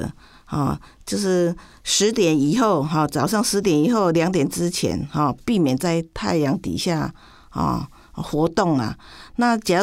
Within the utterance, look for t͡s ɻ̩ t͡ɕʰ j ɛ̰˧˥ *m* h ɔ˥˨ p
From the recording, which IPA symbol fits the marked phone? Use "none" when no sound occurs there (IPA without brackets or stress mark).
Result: n